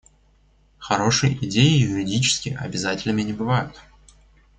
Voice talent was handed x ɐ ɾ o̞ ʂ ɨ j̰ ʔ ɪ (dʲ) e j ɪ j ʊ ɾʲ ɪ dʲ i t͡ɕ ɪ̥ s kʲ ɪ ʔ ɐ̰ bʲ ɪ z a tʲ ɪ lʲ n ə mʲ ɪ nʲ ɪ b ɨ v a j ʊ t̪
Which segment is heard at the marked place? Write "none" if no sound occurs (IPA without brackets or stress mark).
dʲ